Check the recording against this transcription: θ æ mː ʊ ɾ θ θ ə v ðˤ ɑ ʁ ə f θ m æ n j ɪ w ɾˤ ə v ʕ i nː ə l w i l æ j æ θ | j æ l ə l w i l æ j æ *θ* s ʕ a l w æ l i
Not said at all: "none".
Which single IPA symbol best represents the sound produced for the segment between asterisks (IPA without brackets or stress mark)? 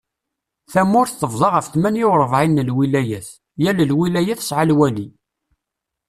θ